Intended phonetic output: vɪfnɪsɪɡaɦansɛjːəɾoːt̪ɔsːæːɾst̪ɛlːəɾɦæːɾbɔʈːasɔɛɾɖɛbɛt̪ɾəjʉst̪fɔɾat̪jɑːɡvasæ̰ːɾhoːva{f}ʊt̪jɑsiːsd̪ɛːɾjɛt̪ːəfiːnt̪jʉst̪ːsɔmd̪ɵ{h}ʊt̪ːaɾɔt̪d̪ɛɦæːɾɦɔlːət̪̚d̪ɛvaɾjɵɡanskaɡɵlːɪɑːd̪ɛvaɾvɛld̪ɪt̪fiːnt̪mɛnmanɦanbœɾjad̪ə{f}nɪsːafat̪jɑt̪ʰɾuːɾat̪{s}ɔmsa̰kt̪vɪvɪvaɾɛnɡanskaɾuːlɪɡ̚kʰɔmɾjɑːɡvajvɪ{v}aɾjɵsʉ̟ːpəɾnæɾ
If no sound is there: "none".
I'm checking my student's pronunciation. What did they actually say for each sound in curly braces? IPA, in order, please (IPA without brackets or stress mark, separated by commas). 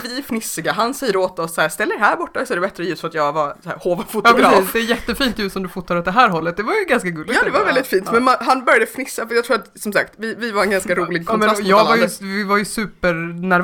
f, f, f, s, v